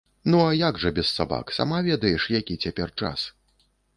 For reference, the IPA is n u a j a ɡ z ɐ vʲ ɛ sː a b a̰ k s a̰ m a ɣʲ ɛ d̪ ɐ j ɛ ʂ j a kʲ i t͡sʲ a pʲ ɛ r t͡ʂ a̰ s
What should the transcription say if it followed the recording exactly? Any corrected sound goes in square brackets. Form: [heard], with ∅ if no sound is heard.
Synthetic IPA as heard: n u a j a ɡ [ʐ] ɐ [bʲ] ɛ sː a b a̰ k s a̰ m a [vʲ] ɛ d̪ ɐ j ɛ ʂ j a kʲ i t͡sʲ a pʲ ɛ r t͡ʂ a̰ s